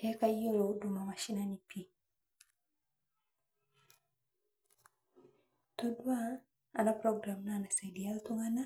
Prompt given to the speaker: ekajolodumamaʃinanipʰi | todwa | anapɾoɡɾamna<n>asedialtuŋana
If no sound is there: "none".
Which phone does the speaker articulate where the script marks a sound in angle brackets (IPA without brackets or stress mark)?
n